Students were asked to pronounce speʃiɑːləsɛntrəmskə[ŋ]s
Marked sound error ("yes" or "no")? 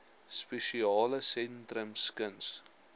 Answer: yes